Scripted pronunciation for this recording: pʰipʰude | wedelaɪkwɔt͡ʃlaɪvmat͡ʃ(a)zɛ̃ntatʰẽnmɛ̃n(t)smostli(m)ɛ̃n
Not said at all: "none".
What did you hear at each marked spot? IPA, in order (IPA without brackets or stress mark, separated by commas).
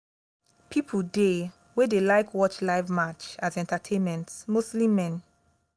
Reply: a, t, m